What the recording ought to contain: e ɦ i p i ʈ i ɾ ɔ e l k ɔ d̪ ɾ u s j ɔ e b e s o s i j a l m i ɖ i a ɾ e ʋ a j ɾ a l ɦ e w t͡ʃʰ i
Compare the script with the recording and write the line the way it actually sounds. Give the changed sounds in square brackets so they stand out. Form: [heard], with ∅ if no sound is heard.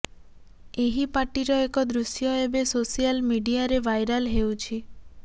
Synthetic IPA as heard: e ɦ i p [a] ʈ i ɾ ɔ e [∅] k ɔ d̪ ɾ u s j ɔ e b e s o s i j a l m i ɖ i a ɾ e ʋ a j ɾ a l ɦ e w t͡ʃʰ i